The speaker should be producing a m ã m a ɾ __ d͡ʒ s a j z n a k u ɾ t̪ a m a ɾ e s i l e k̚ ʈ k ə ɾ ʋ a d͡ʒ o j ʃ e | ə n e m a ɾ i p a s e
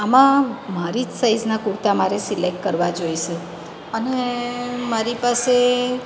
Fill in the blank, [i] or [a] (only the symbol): i